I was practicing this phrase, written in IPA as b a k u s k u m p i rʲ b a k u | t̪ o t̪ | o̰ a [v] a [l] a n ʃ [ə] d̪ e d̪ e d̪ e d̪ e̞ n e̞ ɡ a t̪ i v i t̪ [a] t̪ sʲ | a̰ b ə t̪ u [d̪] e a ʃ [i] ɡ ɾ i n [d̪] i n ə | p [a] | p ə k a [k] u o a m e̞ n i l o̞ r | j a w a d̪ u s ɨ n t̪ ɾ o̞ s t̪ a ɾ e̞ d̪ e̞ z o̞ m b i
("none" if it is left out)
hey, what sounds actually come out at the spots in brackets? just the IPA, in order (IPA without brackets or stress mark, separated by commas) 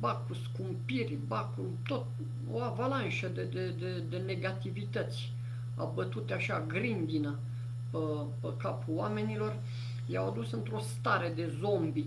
v, l, ə, ə, t̪, a, d̪, ə, p